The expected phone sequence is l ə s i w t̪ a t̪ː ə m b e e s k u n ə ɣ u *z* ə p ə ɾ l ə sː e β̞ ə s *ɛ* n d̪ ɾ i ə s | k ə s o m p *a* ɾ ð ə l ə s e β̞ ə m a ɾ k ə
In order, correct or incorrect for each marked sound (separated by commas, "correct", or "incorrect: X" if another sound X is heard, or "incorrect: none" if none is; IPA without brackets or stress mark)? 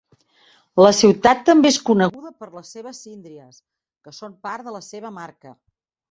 incorrect: ð, incorrect: i, correct